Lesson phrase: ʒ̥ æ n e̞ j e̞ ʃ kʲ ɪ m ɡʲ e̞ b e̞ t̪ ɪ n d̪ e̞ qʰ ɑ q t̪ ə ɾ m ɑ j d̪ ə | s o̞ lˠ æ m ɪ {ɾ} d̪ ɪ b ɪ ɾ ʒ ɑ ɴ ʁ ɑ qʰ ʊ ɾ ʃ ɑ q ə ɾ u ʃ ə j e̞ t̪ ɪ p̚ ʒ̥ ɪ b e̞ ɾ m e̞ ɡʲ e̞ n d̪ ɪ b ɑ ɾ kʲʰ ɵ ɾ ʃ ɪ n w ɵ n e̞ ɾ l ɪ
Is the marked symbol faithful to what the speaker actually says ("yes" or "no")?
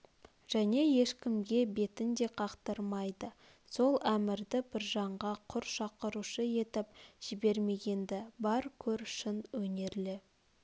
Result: yes